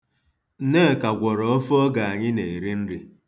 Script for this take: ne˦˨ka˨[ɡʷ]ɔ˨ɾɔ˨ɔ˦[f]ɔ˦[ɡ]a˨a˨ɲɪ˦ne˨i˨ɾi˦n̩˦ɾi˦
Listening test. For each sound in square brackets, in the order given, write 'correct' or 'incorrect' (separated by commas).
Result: correct, correct, correct